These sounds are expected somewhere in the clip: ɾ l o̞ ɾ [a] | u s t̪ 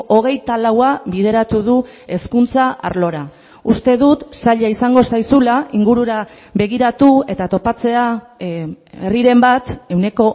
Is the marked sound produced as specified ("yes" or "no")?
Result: yes